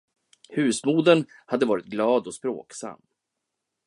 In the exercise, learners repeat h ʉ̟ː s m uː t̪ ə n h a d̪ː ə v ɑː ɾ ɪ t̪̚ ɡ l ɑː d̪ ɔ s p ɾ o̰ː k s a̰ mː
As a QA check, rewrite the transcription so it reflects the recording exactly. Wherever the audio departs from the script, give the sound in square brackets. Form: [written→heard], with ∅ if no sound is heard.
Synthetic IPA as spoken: h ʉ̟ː s m uː [t̪→d̪] ə n h a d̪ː ə v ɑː ɾ ɪ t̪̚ ɡ l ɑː d̪ ɔ s p ɾ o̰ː k s a̰ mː

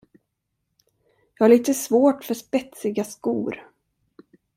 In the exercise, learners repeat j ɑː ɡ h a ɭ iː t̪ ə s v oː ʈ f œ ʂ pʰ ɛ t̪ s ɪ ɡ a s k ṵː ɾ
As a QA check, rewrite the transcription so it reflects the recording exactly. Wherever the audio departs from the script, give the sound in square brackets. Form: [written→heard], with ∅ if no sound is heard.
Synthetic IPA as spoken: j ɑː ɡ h a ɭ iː t̪ ə s v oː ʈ f œ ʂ [pʰ→p] ɛ t̪ s ɪ ɡ a s k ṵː ɾ

